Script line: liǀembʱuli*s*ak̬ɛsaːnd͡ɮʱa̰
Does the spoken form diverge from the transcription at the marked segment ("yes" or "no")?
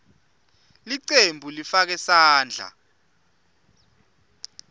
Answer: yes